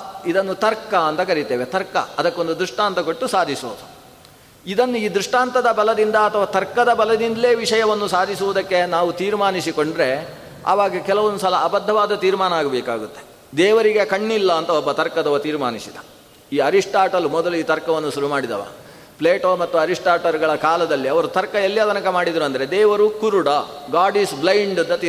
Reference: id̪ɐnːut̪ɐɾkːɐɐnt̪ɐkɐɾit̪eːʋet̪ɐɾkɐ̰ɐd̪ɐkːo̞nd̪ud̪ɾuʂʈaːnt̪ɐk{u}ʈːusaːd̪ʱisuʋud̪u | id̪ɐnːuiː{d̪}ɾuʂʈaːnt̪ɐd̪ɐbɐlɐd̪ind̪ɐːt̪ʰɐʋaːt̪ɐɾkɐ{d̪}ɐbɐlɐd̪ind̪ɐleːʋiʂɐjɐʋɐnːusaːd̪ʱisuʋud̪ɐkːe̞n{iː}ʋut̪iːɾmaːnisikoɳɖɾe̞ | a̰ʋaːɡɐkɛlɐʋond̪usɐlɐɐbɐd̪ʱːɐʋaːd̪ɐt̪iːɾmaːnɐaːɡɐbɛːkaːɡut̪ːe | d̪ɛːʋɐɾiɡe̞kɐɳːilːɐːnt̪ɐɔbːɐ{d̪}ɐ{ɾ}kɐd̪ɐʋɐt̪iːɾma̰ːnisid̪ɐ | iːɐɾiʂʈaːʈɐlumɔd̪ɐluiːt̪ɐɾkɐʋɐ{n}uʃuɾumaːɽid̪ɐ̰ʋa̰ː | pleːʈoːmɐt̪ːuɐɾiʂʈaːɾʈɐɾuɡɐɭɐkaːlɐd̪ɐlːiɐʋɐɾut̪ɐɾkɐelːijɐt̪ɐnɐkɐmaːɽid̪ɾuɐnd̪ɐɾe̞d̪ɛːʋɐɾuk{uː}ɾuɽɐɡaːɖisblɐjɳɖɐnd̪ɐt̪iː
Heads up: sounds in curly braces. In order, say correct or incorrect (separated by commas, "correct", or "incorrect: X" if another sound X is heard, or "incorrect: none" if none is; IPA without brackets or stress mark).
incorrect: o, correct, correct, incorrect: aː, incorrect: t̪, correct, incorrect: nː, incorrect: u